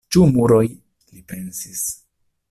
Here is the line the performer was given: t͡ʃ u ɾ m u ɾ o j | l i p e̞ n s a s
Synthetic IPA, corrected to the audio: t͡ʃ u m u ɾ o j | l i p e̞ n s i s